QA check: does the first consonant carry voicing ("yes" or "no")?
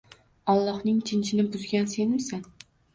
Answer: yes